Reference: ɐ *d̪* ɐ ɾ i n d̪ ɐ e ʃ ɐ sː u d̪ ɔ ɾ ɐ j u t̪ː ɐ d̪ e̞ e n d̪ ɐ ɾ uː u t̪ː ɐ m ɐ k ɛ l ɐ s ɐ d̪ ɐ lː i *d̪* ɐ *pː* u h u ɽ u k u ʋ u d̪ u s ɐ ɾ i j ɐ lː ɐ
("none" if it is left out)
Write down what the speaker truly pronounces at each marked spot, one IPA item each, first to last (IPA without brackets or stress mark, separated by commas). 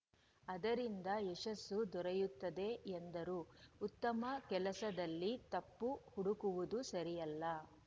d̪, t̪, pː